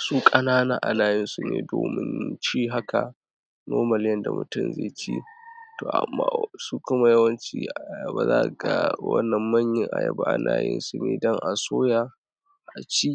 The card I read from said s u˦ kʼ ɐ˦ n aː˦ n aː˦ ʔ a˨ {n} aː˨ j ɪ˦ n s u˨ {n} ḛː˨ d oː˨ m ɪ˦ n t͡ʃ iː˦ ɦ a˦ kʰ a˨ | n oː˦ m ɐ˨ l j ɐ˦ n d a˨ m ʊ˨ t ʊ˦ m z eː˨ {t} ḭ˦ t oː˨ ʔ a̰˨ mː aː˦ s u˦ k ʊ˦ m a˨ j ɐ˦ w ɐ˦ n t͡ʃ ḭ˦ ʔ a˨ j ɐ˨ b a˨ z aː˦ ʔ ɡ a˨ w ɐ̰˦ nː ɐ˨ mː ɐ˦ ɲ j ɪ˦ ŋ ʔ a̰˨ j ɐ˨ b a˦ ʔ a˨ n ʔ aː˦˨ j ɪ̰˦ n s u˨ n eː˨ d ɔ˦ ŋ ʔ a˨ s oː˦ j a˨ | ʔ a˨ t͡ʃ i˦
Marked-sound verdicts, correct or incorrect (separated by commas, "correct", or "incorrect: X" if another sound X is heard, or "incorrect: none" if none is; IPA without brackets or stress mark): correct, correct, incorrect: t͡ʃ